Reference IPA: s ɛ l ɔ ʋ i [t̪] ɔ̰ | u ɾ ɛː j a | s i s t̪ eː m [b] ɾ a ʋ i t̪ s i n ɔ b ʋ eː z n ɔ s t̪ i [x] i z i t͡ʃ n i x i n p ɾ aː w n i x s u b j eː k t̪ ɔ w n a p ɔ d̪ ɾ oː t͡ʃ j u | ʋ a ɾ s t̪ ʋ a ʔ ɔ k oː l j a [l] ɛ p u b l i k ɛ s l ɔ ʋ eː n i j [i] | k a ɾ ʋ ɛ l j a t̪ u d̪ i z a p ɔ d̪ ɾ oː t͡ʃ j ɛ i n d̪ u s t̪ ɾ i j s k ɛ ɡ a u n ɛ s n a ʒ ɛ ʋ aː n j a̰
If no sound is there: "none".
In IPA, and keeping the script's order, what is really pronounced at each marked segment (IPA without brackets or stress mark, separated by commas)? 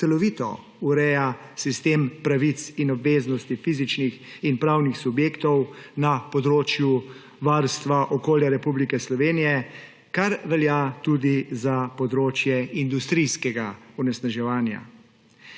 t̪, p, f, ɾ, ɛ